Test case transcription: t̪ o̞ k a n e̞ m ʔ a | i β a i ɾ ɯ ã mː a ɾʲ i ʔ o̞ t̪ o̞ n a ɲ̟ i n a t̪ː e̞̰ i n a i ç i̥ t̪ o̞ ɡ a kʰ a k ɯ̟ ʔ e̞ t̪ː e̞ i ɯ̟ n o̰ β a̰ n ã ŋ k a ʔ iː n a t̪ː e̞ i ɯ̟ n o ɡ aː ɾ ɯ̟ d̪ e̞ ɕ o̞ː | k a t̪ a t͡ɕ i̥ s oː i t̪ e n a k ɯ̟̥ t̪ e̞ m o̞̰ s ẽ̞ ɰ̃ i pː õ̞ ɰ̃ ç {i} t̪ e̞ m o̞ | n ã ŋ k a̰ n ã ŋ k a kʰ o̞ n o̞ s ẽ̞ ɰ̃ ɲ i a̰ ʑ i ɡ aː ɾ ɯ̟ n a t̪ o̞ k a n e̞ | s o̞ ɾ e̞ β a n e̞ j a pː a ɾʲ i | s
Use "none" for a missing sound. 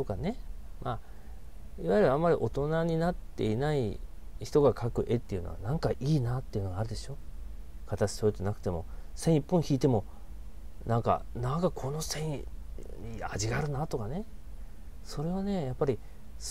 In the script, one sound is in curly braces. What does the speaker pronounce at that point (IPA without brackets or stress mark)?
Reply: iː